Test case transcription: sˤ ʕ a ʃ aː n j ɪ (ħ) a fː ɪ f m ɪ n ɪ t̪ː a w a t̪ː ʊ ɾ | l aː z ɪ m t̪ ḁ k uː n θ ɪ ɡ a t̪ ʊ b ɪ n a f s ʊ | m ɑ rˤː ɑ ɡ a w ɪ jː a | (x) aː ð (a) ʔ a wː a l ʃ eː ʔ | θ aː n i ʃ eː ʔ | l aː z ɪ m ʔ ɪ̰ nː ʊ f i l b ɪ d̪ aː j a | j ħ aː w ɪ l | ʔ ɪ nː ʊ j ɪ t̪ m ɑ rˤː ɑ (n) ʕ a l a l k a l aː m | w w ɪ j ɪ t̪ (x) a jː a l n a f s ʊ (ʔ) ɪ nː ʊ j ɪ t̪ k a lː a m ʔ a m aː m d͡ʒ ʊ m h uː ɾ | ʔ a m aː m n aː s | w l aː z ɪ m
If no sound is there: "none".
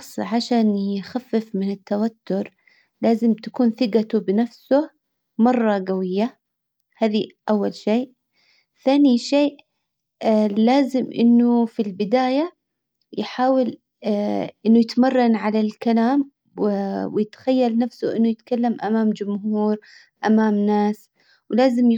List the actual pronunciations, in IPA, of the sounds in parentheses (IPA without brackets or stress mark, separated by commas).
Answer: x, h, i, n, x, ʔ